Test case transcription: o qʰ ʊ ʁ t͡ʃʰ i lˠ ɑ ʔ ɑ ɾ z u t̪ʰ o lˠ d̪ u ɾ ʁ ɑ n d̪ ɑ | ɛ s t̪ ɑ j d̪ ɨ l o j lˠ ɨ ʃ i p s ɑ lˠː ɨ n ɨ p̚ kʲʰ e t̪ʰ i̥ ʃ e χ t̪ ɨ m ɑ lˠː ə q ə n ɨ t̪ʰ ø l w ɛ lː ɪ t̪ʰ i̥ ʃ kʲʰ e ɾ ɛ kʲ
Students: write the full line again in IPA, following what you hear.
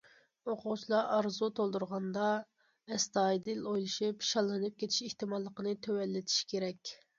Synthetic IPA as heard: o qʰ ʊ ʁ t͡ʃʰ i lˠ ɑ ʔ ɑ ɾ z u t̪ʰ o lˠ d̪ u ɾ ʁ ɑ n d̪ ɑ | ɛ s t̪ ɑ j d̪ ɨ l o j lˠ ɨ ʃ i p ʃ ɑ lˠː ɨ n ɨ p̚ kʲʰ e t̪ʰ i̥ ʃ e h t̪ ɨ m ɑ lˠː ə q ə n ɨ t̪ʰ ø w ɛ lː ɪ t̪ʰ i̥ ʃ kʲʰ e ɾ ɛ kʲ